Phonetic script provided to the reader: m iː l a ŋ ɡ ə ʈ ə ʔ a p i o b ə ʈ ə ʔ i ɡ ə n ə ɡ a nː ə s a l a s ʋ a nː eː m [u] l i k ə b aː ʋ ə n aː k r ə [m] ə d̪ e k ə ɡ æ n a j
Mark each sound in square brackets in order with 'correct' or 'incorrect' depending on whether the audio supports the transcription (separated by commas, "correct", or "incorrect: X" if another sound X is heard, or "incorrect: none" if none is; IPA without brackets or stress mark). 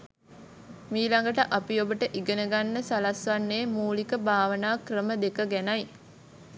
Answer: incorrect: uː, correct